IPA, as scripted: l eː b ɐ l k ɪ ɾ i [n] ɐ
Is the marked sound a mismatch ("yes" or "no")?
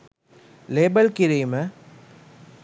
yes